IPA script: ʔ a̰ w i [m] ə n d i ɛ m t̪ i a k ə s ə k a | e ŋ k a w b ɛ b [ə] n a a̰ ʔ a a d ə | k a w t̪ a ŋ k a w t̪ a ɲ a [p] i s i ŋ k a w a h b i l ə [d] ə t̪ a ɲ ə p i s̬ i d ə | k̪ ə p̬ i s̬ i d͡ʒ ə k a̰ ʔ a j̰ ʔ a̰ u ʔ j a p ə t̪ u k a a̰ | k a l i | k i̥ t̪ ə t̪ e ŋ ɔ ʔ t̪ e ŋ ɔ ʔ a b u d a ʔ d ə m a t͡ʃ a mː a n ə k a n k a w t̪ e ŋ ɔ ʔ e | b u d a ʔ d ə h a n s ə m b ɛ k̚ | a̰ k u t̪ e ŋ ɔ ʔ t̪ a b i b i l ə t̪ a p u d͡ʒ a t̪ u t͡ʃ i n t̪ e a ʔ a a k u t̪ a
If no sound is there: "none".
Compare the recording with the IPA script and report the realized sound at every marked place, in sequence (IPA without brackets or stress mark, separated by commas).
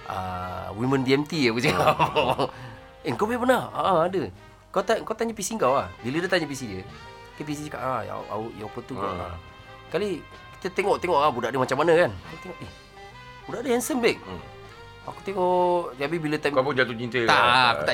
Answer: m, ə, p, d